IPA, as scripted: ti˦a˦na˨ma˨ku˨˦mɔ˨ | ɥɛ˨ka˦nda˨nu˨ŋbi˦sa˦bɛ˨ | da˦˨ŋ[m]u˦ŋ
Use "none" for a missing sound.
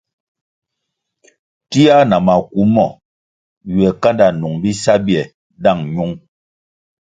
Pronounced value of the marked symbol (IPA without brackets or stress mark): ɲ